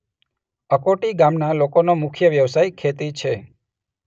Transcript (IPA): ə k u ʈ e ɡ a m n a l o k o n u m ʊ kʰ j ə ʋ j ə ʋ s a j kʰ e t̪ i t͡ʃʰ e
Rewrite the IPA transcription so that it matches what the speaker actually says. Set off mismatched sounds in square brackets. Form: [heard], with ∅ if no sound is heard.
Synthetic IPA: ə k [o] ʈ [i] ɡ a m n a l o k o n [o] m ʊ kʰ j ə ʋ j ə ʋ s a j kʰ e t̪ i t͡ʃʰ e